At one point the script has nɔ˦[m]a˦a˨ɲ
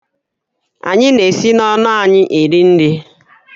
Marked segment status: incorrect: n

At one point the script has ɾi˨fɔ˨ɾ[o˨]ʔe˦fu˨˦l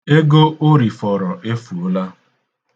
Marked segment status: incorrect: ɔ˨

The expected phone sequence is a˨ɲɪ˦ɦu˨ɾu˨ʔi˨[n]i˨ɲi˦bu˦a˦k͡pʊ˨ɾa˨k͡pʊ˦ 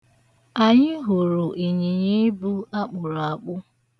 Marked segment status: incorrect: ɲ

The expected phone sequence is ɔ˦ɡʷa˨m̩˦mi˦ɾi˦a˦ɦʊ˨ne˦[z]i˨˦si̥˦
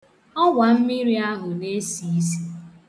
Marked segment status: incorrect: s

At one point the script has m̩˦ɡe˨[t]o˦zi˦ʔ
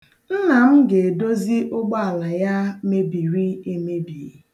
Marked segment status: incorrect: d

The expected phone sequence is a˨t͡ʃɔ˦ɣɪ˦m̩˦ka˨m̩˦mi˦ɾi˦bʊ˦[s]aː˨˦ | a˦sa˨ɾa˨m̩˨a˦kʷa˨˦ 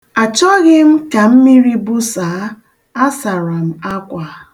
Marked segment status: correct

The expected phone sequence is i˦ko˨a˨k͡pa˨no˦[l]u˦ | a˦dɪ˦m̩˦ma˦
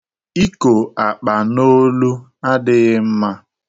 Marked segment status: correct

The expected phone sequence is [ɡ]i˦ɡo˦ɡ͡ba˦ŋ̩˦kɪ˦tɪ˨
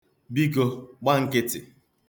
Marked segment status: incorrect: b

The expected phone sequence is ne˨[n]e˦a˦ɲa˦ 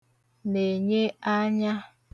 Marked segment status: incorrect: ɲ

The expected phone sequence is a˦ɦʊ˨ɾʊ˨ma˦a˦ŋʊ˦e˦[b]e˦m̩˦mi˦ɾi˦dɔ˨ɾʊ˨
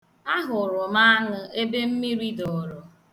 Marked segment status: correct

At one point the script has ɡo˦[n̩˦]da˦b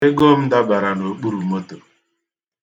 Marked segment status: incorrect: m̩˦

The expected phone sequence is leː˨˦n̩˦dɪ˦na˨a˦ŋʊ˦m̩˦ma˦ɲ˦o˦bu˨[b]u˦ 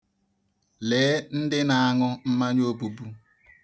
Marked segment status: correct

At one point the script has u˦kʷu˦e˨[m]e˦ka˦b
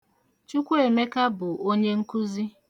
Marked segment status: correct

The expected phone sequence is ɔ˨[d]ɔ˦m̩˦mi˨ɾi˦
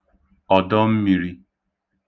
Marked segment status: correct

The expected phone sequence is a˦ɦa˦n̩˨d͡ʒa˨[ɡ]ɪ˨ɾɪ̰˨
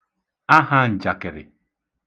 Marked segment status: incorrect: k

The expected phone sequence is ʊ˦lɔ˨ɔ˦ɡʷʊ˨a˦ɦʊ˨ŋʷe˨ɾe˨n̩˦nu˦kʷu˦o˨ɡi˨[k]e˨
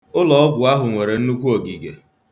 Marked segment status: incorrect: ɡ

